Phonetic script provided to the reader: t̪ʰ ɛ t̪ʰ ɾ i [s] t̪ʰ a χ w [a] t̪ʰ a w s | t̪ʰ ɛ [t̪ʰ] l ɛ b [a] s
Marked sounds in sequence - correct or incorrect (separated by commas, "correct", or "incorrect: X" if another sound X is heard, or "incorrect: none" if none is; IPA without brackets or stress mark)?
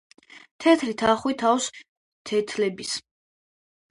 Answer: incorrect: none, incorrect: i, correct, incorrect: i